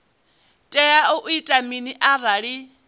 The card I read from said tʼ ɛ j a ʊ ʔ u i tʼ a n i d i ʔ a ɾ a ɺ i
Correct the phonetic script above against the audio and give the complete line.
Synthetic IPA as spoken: tʼ ɛ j a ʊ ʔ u i tʼ a m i n i ʔ a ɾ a ɺ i